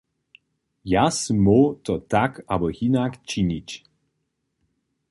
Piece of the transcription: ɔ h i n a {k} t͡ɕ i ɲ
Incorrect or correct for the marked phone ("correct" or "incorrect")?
correct